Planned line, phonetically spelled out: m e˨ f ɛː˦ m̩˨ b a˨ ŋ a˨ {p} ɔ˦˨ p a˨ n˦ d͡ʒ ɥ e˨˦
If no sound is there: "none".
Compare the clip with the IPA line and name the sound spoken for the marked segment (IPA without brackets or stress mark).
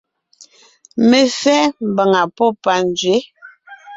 p